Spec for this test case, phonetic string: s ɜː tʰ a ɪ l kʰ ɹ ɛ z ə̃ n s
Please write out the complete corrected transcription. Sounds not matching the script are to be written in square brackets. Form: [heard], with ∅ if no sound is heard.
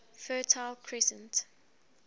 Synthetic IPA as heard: [f] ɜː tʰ a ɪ l kʰ ɹ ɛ [s] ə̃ n [t]